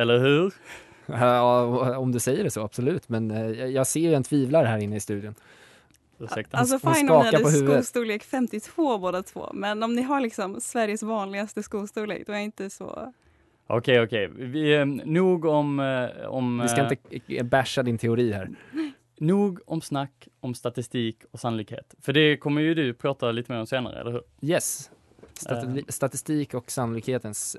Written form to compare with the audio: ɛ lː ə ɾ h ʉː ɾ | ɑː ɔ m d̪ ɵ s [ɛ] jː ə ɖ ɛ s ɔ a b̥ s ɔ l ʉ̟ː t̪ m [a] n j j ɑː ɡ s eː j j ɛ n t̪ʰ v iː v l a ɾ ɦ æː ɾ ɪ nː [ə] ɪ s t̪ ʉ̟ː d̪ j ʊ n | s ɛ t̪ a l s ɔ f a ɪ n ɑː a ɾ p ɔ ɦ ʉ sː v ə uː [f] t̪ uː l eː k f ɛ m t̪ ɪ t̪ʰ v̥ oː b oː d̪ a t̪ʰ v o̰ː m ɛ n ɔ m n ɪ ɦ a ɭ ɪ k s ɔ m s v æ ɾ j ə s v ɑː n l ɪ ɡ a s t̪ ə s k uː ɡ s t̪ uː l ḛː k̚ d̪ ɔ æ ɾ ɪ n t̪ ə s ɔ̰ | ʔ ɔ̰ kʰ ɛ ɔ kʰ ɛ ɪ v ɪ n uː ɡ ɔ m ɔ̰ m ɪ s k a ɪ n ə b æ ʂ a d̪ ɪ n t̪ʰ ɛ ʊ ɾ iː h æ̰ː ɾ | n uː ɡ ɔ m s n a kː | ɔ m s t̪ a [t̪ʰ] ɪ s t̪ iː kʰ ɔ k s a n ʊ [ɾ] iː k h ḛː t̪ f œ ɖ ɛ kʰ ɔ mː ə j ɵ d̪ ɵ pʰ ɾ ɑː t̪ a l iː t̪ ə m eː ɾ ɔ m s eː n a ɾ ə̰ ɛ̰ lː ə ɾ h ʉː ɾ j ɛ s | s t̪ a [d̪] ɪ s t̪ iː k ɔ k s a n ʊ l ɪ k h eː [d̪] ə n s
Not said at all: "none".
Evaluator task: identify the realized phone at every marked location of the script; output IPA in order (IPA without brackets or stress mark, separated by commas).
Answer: ɛ, ɛ, ə, s, t̪, l, t̪, t̪